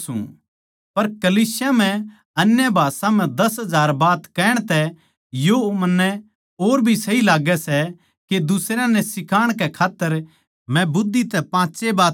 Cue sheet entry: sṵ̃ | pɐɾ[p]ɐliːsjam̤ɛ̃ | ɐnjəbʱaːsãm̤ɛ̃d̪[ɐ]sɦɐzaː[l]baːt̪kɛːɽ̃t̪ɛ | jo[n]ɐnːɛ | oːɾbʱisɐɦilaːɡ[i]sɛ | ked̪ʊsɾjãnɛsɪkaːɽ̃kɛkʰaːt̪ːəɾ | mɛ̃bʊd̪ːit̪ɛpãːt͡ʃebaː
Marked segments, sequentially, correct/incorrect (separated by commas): incorrect, correct, incorrect, incorrect, incorrect